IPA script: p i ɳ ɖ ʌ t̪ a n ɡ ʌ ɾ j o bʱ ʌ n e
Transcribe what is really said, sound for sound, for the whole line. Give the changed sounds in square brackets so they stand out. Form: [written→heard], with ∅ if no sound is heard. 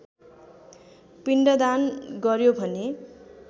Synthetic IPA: p i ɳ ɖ ʌ [t̪→d̪] a n ɡ ʌ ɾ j o bʱ ʌ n e

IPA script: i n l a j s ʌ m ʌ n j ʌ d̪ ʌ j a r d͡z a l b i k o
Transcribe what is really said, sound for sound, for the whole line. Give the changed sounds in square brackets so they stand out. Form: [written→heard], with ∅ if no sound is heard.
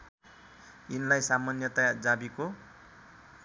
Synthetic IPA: i n l a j s [ʌ→a] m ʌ n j ʌ [d̪→t̪] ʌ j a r d͡z a [l→∅] b i k o

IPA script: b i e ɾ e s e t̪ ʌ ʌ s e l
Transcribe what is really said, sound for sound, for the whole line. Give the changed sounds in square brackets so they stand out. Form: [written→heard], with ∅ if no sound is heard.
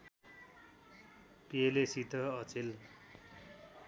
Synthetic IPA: [b→p] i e [ɾ→l] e s [e→i] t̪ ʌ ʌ [s→t͡s] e l

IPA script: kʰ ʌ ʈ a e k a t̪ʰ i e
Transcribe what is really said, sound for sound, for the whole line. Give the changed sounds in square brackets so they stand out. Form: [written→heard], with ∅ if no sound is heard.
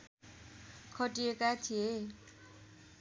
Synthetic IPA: kʰ ʌ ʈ [a→i] e k a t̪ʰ i e

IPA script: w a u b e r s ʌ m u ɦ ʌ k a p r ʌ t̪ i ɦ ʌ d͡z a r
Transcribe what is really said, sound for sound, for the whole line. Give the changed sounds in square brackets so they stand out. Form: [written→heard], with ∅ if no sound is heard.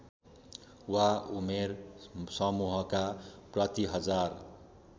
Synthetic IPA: w a u [b→m] e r s ʌ m u ɦ ʌ k a p r ʌ t̪ i ɦ ʌ d͡z a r

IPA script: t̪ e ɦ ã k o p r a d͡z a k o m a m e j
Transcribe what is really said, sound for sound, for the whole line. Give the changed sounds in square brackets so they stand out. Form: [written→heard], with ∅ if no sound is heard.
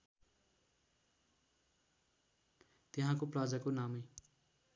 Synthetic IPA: t̪ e ɦ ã k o p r a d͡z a k o [m→n] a m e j

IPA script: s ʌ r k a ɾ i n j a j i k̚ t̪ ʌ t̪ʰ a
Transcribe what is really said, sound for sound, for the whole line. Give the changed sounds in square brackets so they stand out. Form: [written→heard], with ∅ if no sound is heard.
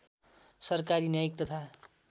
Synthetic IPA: s ʌ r k a ɾ i n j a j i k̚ t̪ ʌ t̪ʰ a

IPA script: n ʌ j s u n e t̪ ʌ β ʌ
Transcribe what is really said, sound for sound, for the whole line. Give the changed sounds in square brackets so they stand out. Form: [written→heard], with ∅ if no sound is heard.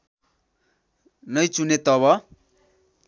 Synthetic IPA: n ʌ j [s→t͡s] u n e t̪ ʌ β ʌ

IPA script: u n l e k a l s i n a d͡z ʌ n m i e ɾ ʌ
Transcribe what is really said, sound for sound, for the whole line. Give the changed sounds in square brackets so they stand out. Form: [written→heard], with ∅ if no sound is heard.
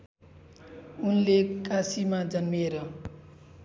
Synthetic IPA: u n l e k a [l→∅] s i [n→m] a d͡z ʌ n m i e ɾ ʌ

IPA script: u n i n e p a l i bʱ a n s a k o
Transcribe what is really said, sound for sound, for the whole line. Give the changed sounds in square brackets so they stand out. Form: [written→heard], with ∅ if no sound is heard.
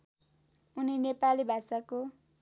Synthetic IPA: u n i n e p a l i bʱ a [n→∅] s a k o

